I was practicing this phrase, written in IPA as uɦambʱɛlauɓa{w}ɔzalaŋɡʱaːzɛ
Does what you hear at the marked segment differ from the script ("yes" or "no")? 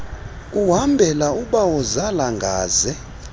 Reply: no